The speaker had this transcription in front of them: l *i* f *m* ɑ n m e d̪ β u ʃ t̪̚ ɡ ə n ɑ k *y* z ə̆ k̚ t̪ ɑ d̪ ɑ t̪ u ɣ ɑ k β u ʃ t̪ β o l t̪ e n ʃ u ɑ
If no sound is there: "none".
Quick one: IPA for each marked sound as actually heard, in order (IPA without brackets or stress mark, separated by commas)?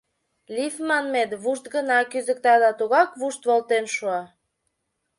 i, m, y